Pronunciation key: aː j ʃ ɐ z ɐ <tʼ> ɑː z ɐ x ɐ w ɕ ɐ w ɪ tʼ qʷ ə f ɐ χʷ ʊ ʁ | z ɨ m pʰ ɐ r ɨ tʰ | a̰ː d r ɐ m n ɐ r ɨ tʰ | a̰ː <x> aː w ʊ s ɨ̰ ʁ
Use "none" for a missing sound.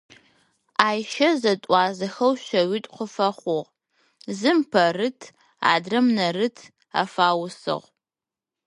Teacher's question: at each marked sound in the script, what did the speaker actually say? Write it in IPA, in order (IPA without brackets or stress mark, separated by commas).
tʼ, f